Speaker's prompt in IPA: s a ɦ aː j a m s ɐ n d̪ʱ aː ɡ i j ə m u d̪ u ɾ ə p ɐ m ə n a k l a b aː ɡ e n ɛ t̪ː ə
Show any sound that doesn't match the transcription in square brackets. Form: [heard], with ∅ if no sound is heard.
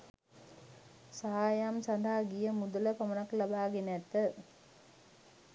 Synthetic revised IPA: s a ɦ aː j a m s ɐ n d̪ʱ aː ɡ i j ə m u d̪ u [l] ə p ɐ m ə n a k l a b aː ɡ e n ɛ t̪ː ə